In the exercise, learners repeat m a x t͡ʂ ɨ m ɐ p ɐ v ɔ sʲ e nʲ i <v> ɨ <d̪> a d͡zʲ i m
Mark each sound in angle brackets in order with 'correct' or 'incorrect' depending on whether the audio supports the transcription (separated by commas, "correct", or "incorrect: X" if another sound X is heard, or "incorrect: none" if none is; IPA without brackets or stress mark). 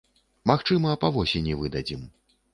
correct, correct